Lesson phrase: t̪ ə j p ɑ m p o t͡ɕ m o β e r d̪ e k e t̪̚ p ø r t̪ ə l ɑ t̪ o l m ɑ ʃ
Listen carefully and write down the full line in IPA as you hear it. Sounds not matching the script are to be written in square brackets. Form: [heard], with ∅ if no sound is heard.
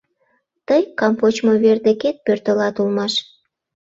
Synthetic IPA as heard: t̪ ə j [k] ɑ m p o t͡ɕ m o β e r d̪ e k e t̪̚ p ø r t̪ ə l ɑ t̪ [u] l m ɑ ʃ